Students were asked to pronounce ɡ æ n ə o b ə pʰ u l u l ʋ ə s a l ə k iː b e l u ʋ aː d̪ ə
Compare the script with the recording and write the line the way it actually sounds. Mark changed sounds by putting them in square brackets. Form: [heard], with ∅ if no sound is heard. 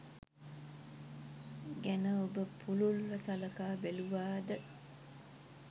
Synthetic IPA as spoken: ɡ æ n ə o b ə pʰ u l u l ʋ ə s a l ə k [aː] b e l u ʋ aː d̪ ə

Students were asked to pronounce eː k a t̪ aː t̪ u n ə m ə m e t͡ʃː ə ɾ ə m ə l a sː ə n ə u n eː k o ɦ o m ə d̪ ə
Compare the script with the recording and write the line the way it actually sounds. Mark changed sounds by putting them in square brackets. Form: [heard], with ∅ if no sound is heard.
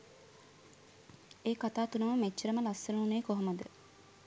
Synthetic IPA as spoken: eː k a t̪ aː t̪ u n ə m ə m e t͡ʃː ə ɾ ə m ə l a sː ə n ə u n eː k o ɦ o m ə d̪ ə

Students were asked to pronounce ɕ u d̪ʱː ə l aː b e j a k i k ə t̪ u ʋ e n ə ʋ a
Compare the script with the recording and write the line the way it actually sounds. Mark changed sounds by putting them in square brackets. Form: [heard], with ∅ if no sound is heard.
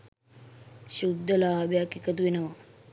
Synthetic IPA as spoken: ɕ u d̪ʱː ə l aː b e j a k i k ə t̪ u ʋ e n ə ʋ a

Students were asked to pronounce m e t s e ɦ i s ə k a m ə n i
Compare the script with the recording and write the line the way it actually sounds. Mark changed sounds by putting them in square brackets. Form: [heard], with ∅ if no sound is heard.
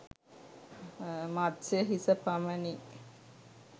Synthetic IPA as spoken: m [a] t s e ɦ i s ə [p] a m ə n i

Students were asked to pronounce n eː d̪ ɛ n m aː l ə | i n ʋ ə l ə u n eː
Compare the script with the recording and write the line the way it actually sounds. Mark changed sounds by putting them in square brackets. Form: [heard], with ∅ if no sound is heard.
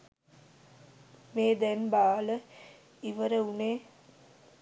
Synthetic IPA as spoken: [m] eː d̪ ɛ n [b] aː l ə | i [∅] ʋ ə [ɾ] ə u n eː

